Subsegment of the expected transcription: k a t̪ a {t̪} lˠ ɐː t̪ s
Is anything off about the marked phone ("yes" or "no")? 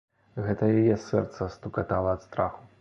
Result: yes